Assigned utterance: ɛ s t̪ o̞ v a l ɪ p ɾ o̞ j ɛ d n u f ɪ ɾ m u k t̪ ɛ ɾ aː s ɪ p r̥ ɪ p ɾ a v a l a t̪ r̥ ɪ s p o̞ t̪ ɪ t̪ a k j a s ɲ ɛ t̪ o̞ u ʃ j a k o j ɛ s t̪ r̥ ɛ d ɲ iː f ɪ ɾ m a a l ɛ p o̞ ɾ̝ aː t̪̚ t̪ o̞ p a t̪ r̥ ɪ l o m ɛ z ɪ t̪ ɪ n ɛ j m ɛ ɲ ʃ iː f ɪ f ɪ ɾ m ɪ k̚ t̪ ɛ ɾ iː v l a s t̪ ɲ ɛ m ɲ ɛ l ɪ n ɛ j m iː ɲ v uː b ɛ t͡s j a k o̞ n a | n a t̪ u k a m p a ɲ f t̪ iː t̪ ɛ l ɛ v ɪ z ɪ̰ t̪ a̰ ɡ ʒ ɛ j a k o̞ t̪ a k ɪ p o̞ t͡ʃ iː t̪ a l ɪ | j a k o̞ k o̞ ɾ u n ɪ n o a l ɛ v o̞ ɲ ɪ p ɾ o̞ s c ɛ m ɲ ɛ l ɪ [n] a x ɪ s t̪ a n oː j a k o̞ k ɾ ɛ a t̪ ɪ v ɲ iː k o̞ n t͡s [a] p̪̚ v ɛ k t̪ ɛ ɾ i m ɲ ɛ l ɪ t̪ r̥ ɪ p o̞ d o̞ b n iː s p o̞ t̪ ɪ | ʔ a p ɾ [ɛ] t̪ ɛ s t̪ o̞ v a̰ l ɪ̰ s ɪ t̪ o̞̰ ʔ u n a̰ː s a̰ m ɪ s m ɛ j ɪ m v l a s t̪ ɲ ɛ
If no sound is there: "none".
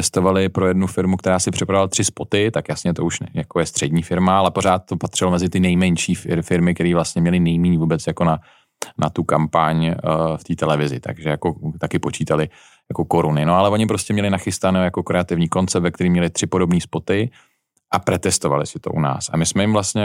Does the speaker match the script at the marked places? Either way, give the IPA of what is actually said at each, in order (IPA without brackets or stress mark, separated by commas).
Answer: n, ɛ, ɛ